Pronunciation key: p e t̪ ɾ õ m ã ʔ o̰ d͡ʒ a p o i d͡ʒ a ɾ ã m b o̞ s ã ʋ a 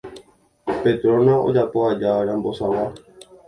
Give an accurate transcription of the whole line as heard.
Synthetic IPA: p e t̪ ɾ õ n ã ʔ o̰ d͡ʒ a p o a d͡ʒ a ɾ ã m b o̞ s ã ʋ a